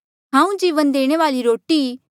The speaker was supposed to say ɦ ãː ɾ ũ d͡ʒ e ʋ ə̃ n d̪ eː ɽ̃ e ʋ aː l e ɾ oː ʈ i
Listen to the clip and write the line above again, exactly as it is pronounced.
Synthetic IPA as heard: ɦ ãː ũ d͡ʒ i ʋ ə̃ n d̪ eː ɽ̃ e ʋ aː l i ɾ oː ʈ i

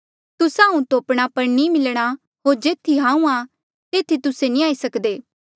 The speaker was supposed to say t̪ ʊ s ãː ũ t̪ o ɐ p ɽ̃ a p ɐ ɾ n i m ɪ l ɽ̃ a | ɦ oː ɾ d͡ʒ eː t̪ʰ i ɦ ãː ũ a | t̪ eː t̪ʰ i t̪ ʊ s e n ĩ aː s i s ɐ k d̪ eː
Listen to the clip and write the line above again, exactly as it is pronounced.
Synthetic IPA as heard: t̪ ʊ s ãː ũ t̪ o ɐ p ɽ̃ a p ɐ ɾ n i m ɪ l ɽ̃ a | ɦ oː ɾ d͡ʒ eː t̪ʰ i ɦ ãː ũ a | t̪ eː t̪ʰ i t̪ ʊ s e n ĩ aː i s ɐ k d̪ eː

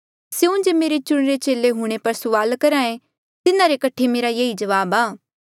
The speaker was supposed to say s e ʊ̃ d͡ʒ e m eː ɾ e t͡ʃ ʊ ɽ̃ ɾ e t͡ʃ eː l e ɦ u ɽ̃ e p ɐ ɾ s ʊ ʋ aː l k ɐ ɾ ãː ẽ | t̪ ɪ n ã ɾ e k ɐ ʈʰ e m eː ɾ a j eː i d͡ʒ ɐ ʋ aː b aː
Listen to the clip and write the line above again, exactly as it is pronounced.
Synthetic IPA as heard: s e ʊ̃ d͡ʒ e m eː ɾ e t͡ʃ ʊ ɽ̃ ɾ e t͡ʃ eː l e ɦ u ɽ̃ e p ɐ ɾ s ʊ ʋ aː l k ɐ ɾ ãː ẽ | t̪ ɪ n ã ɾ e k ɐ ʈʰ e m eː ɾ a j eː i d͡ʒ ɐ ʋ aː b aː

